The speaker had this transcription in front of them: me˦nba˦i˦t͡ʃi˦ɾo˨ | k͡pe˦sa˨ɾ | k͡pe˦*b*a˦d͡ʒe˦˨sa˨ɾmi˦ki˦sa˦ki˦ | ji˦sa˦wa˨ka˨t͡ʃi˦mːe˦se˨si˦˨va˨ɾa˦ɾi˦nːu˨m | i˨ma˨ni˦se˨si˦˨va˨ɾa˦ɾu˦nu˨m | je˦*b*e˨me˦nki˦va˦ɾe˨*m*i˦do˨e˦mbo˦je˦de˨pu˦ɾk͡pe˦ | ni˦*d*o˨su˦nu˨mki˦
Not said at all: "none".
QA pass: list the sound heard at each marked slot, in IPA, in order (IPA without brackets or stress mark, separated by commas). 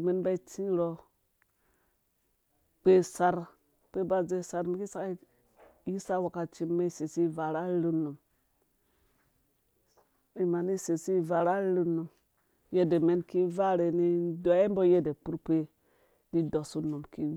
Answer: b, d, n, d